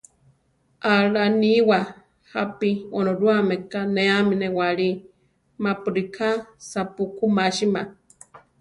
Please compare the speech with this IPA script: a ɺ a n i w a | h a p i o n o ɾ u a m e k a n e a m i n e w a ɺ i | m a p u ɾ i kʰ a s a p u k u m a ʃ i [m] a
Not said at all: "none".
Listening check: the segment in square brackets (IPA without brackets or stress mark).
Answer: m